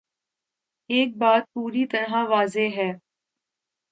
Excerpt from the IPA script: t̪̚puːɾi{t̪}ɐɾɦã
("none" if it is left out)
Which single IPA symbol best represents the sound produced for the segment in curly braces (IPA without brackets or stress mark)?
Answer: t̪